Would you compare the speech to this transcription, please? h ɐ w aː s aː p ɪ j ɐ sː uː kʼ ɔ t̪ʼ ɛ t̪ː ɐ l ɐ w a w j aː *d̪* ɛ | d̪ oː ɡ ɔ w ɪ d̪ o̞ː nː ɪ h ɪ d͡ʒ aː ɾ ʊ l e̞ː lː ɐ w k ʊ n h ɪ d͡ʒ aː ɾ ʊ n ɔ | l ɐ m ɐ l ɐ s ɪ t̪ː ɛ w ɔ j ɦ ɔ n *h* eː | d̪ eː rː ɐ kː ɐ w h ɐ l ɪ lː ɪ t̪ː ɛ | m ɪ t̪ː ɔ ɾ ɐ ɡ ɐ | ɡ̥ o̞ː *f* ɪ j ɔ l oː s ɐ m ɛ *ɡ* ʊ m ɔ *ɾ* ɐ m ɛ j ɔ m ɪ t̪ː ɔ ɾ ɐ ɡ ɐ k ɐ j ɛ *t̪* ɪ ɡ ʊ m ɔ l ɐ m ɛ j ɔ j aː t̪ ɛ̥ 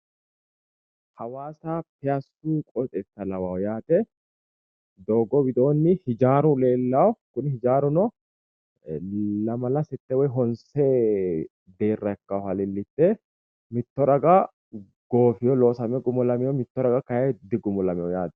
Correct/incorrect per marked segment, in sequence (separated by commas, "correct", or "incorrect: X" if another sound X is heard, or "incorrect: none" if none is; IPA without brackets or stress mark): incorrect: t̪, incorrect: s, correct, correct, incorrect: l, incorrect: d̪